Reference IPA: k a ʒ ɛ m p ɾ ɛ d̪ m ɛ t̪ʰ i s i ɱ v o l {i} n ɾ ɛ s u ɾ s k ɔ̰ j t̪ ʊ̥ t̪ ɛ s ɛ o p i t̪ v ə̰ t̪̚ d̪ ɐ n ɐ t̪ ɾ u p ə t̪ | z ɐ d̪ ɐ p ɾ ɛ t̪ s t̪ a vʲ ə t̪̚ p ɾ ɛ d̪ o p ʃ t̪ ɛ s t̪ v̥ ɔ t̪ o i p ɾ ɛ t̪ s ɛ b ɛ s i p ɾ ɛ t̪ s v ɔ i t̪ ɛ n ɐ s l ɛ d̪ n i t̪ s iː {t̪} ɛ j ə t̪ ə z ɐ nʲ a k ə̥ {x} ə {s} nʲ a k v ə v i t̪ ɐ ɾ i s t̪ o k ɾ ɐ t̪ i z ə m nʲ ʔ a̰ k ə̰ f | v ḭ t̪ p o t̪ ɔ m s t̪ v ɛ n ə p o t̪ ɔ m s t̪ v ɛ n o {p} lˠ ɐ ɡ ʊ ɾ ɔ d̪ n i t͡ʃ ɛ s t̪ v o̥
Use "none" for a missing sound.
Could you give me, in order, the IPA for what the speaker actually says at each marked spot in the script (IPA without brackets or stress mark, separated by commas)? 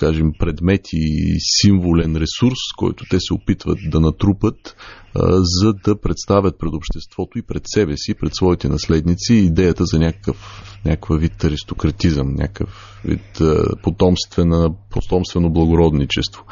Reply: ɛ, d̪, k, f, b